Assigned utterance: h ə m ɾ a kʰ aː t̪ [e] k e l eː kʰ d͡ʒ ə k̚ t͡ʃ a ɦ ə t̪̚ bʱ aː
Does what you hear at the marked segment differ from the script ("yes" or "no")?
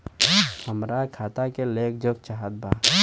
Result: yes